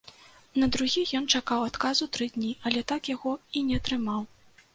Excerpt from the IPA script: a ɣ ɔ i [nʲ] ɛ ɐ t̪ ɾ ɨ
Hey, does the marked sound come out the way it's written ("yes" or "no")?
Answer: yes